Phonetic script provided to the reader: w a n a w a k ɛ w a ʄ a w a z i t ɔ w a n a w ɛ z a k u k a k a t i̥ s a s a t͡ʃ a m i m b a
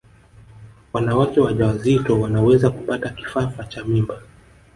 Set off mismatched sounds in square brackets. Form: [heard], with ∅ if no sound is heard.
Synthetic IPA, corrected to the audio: w a n a w a k ɛ w a ʄ a w a z i t ɔ w a n a w ɛ z a k u [p] a [t] a [k] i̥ [f] a [f] a t͡ʃ a m i m b a